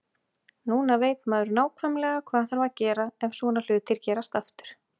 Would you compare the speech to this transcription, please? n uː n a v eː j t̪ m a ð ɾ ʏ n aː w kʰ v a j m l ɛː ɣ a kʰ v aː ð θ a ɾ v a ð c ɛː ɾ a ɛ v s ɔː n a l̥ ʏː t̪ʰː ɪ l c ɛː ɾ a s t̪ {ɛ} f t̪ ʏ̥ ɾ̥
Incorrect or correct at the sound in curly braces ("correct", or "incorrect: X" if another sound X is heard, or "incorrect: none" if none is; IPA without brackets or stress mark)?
incorrect: a